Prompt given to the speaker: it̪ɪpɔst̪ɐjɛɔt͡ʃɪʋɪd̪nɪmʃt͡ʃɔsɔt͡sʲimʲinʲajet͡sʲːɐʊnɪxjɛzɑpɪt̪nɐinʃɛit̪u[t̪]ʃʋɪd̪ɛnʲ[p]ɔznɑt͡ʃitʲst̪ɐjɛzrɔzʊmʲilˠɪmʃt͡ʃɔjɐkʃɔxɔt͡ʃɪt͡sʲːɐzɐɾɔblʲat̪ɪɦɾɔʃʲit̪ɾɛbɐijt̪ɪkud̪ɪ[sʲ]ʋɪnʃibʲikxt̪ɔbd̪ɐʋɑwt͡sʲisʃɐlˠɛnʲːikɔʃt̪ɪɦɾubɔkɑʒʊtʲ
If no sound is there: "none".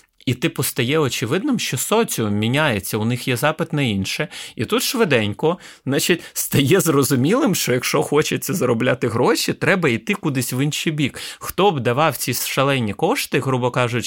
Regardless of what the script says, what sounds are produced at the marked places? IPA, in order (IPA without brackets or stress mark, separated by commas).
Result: t̪, k, sʲ